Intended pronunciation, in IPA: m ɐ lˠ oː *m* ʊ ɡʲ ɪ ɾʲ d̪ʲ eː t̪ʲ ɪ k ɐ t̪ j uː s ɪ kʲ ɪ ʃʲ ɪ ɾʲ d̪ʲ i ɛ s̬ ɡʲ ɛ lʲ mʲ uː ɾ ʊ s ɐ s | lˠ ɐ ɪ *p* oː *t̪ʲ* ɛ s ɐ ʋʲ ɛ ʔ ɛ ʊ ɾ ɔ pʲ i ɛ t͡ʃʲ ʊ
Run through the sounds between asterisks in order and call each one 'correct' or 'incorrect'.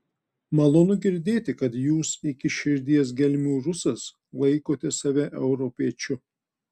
incorrect, incorrect, correct

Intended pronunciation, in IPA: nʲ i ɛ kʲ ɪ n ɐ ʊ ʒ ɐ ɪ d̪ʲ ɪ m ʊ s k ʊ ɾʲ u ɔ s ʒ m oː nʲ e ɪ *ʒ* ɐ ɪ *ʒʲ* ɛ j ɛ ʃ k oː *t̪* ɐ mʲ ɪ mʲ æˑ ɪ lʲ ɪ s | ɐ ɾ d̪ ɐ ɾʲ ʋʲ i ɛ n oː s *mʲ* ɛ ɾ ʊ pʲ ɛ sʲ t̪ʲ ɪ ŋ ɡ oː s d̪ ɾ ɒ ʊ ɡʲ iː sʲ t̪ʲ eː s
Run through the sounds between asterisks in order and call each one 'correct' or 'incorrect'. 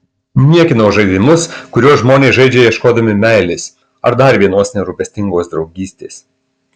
correct, incorrect, incorrect, incorrect

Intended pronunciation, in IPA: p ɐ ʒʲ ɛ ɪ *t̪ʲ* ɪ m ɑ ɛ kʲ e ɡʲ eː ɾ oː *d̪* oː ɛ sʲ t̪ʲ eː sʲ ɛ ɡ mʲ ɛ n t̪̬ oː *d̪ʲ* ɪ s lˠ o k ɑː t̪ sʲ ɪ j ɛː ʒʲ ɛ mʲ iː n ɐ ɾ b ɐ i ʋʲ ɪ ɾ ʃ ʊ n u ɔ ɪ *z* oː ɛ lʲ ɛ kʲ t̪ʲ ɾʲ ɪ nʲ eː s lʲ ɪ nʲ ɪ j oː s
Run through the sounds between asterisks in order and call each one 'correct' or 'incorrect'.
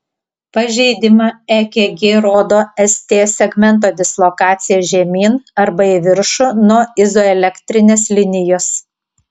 incorrect, correct, correct, correct

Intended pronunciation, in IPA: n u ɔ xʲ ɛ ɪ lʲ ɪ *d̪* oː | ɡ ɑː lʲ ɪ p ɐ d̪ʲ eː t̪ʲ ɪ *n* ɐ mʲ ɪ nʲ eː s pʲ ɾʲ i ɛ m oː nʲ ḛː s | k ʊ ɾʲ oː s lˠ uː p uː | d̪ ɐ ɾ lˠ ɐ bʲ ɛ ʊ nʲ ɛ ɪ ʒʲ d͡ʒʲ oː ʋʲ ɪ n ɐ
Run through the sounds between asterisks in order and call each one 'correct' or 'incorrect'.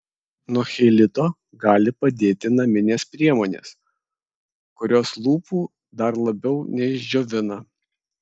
incorrect, correct

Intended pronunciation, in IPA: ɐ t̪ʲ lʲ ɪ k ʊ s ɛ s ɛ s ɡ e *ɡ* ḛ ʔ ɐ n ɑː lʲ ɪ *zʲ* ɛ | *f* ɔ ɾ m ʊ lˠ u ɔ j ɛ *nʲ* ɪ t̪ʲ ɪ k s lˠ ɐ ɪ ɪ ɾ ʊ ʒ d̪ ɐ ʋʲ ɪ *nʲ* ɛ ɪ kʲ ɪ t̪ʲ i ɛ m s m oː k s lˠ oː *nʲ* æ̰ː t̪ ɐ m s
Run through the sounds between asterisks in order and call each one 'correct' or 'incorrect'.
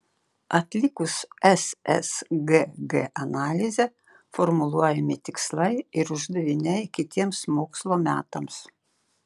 correct, correct, correct, incorrect, correct, incorrect

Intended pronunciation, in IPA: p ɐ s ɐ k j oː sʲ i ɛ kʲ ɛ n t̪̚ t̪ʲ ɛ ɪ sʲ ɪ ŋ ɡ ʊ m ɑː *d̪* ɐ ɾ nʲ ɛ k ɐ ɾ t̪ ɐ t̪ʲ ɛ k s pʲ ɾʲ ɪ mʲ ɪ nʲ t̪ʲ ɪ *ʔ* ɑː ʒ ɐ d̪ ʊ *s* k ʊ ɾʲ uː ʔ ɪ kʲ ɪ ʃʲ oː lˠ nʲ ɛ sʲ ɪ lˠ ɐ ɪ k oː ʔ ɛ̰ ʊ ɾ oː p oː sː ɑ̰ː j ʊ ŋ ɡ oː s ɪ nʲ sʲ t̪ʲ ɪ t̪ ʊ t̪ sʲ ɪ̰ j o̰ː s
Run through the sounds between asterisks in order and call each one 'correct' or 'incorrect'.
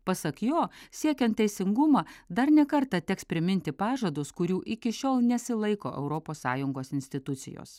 correct, incorrect, correct

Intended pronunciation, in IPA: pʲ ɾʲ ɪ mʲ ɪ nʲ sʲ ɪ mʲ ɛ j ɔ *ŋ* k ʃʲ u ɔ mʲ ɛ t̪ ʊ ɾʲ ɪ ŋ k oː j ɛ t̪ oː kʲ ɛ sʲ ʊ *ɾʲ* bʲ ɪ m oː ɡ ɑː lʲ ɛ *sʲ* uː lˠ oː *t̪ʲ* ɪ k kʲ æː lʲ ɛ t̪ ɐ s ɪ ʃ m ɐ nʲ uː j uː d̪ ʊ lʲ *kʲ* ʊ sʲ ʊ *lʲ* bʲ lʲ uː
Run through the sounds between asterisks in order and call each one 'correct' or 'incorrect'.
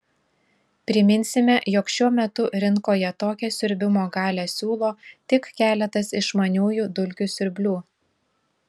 incorrect, correct, correct, correct, correct, incorrect

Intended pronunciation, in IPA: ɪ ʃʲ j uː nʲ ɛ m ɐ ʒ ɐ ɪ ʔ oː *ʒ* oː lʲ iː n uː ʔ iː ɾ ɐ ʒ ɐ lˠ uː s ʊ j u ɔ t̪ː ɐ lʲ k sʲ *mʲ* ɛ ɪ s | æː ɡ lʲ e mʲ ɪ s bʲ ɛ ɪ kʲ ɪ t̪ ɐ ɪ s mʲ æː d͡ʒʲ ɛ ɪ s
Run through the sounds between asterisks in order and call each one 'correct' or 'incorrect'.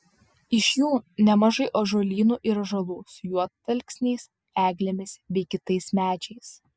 correct, incorrect

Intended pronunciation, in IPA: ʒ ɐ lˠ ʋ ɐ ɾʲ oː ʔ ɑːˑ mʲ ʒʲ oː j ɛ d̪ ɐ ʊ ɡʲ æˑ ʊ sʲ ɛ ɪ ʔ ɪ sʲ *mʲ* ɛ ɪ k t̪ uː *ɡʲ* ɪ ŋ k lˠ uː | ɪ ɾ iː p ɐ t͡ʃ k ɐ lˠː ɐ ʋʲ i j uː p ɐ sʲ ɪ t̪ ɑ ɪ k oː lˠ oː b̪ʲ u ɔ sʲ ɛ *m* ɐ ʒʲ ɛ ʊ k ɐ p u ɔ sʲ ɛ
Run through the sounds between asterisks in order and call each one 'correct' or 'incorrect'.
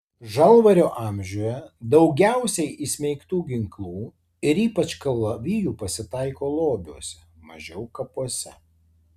correct, correct, correct

